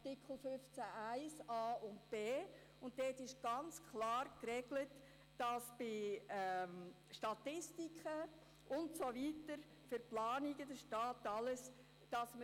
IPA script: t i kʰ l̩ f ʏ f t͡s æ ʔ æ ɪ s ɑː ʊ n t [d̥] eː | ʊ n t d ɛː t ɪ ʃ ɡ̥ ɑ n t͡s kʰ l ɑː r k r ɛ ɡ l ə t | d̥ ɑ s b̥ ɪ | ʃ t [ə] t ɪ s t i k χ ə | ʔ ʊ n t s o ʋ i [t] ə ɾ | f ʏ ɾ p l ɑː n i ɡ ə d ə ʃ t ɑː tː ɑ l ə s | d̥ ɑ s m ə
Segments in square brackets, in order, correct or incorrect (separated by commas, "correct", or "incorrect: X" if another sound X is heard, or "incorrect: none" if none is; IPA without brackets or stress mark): incorrect: b̥, incorrect: ɑ, correct